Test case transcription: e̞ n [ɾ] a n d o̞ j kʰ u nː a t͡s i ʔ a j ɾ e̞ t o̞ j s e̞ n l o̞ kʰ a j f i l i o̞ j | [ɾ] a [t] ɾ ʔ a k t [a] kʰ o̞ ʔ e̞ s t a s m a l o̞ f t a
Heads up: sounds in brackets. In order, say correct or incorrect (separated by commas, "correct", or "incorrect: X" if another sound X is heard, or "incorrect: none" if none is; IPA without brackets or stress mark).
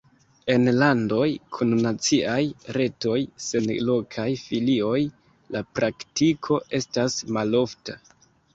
incorrect: l, incorrect: l, incorrect: p, incorrect: i